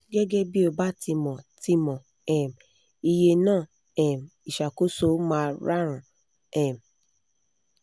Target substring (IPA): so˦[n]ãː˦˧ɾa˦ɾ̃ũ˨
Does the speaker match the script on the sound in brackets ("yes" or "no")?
no